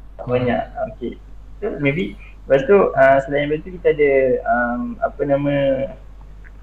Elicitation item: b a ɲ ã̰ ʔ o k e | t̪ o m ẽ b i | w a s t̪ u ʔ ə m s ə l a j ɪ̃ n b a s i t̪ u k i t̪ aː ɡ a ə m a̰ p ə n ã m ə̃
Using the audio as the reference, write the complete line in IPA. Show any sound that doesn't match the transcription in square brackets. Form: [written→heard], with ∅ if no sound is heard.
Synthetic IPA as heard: b a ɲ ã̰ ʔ o k e | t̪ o m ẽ b i | [w→b] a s t̪ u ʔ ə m s ə l a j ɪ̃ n b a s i t̪ u k i t̪ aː [ɡ→d] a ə m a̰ p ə n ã m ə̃